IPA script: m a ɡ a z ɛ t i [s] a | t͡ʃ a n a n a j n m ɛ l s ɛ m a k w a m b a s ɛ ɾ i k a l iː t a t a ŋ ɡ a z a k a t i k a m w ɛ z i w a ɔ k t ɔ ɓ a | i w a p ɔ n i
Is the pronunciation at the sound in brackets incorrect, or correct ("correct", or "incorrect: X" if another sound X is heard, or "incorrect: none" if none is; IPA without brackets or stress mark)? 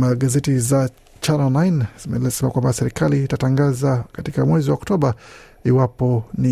incorrect: z